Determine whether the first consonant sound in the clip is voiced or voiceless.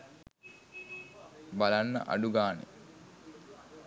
voiced